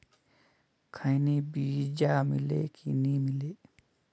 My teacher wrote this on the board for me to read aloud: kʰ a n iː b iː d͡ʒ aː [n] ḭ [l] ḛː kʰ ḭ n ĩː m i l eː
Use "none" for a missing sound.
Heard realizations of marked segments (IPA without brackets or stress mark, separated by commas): m, l